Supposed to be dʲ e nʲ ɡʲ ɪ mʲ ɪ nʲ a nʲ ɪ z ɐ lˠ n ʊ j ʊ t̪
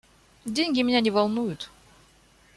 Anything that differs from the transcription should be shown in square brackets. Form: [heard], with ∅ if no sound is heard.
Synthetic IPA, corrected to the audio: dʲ e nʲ ɡʲ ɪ mʲ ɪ nʲ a nʲ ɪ [v] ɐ lˠ n [u] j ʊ t̪